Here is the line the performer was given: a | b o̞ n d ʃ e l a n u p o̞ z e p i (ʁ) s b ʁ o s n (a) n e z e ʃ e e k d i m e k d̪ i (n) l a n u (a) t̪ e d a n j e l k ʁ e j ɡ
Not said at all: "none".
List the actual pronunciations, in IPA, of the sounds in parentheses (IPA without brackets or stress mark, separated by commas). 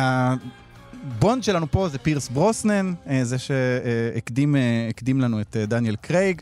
ʁ, e, m, e